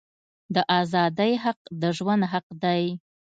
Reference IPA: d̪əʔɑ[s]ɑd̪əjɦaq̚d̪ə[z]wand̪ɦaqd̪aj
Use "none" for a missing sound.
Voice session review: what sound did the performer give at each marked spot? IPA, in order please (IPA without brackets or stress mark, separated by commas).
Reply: z, ʒ